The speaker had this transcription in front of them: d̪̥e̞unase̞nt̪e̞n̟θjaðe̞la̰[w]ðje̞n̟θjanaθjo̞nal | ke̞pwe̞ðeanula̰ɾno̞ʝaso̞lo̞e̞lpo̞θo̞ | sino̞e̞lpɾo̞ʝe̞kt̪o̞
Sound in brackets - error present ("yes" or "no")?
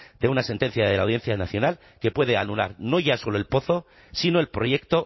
no